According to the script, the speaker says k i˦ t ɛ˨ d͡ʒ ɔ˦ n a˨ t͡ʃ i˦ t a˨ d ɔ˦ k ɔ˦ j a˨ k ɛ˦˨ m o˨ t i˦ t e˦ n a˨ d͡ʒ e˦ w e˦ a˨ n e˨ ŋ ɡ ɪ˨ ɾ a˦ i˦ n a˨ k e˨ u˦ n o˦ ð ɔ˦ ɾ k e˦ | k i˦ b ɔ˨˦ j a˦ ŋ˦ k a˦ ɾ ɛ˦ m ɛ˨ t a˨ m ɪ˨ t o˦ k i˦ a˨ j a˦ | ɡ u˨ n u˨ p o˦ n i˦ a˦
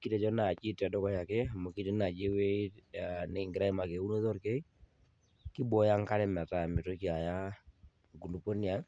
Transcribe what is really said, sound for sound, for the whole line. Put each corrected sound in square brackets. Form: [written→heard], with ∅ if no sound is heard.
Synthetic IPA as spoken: k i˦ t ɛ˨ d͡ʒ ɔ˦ n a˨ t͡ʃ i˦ t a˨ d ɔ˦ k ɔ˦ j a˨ k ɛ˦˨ m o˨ [t→k] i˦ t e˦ n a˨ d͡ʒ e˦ w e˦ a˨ n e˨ ŋ ɡ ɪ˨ ɾ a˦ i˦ [n→m] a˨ k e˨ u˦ n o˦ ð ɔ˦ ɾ k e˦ | k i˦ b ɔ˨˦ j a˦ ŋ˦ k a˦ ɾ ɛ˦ m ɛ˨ t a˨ m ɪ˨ t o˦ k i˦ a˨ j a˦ | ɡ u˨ n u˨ p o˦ n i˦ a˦